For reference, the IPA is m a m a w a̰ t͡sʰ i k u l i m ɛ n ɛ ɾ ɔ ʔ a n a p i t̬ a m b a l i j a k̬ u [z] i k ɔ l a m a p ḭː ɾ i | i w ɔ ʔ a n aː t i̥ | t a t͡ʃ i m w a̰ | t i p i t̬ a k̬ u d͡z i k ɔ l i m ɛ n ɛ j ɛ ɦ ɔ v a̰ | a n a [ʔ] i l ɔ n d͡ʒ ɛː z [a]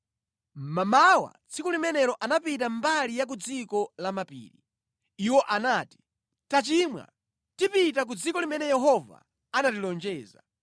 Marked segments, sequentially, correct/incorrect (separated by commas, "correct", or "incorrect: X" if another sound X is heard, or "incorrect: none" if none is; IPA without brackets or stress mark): incorrect: d͡z, incorrect: t, correct